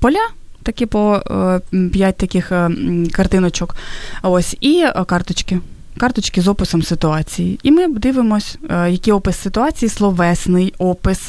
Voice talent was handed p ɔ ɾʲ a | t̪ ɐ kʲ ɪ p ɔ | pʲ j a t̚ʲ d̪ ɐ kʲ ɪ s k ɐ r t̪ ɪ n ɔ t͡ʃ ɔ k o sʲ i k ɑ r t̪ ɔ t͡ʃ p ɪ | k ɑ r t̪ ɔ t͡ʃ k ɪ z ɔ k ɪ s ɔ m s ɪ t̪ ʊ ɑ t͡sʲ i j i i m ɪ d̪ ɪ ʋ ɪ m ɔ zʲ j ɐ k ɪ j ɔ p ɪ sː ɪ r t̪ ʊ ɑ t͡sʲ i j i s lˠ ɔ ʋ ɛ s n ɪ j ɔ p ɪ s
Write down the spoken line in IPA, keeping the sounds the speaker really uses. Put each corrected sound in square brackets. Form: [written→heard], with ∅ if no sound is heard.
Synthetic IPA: p ɔ [ɾʲ→lʲ] a | t̪ ɐ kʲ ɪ p ɔ | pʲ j a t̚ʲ [d̪→t̪] ɐ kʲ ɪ [s→x] k ɐ r t̪ ɪ n ɔ t͡ʃ ɔ k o sʲ i k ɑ r t̪ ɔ t͡ʃ [p→k] ɪ | k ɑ r t̪ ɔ t͡ʃ k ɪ z ɔ [k→p] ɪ s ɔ m s ɪ t̪ ʊ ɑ t͡sʲ i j i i m ɪ d̪ ɪ ʋ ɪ m ɔ [zʲ→sʲ] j ɐ k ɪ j ɔ p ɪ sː ɪ [r→∅] t̪ ʊ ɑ t͡sʲ i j i s lˠ ɔ ʋ ɛ s n ɪ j ɔ p ɪ s